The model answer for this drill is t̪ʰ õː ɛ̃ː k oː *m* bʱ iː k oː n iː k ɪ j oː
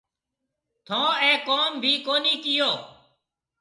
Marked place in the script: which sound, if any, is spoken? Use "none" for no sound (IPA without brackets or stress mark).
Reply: m